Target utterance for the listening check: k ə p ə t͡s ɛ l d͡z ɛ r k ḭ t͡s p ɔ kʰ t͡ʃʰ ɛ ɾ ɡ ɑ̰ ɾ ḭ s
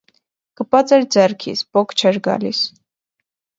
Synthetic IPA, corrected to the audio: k ə p ɑ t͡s ɛ ɾ d͡z ɛ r kʰ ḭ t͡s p ɔ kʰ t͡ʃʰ ɛ ɾ ɡ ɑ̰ l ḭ s